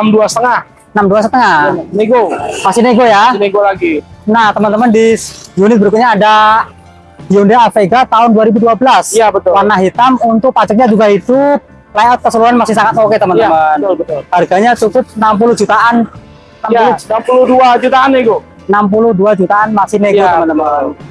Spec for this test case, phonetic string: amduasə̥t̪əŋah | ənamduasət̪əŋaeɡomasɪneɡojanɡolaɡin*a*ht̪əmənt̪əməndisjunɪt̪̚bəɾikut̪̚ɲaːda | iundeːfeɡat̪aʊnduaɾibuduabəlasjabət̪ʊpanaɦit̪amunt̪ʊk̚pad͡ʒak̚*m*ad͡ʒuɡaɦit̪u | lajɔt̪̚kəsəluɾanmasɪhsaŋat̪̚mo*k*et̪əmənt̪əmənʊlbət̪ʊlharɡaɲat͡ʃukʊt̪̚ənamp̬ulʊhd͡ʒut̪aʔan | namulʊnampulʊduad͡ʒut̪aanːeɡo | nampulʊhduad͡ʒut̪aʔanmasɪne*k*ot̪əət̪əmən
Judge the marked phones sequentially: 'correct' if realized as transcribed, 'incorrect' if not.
correct, incorrect, correct, incorrect

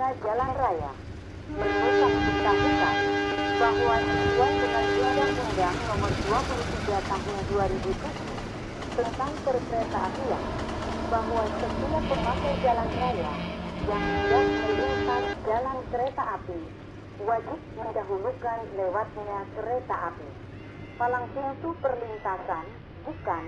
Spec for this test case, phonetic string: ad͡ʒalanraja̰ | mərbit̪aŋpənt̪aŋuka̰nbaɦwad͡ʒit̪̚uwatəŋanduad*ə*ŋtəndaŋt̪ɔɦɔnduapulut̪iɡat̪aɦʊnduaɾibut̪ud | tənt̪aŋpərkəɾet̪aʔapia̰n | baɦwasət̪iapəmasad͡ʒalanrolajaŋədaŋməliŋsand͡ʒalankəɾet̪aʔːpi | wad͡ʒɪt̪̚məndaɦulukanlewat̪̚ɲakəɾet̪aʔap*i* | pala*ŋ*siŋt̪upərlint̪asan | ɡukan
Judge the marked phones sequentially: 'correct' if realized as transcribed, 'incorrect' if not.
incorrect, correct, correct

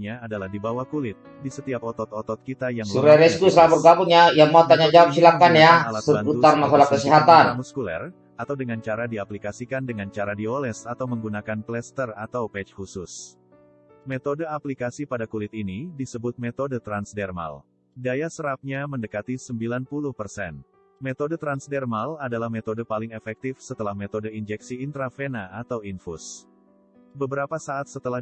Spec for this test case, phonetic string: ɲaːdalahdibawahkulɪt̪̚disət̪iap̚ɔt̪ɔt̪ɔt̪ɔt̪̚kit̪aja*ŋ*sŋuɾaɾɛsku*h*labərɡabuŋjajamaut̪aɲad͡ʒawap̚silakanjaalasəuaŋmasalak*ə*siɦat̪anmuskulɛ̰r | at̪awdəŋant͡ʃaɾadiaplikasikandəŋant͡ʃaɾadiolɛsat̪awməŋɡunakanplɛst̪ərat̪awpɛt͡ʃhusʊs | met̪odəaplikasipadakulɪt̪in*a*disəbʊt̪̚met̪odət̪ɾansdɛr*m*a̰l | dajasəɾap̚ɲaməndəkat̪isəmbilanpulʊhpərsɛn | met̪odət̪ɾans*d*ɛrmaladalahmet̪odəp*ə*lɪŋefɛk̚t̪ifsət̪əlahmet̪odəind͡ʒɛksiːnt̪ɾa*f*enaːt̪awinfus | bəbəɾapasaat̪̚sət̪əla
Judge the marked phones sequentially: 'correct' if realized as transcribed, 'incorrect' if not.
correct, incorrect, correct, incorrect, correct, correct, incorrect, correct

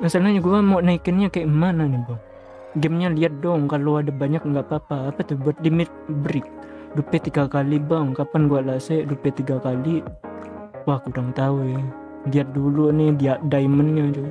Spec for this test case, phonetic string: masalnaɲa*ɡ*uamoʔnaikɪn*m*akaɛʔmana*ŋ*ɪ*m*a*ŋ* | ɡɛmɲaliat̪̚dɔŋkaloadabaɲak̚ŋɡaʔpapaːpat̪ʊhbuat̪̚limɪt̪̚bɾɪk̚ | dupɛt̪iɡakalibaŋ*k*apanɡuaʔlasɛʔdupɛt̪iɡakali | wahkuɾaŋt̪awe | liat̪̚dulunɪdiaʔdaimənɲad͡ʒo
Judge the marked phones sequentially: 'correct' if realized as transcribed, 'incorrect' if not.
correct, incorrect, incorrect, incorrect, correct, correct

